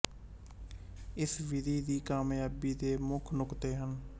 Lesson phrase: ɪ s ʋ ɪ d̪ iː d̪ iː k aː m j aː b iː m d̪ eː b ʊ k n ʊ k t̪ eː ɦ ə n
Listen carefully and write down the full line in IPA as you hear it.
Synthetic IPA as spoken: ɪ s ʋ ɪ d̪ iː d̪ iː k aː m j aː b iː d̪ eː m ʊ kʰ n ʊ k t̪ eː ɦ ə n